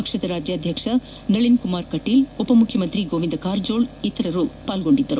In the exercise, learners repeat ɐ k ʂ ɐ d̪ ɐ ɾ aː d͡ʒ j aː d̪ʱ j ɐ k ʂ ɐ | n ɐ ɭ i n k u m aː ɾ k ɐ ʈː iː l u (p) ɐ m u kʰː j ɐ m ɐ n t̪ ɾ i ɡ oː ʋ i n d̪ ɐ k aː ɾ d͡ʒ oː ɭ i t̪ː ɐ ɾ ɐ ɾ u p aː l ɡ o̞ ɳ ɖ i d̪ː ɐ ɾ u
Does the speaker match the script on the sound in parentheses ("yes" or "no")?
yes